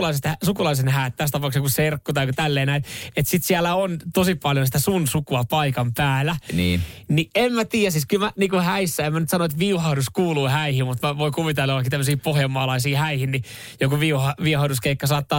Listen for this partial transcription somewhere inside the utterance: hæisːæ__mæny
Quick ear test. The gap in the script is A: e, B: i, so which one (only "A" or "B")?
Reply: A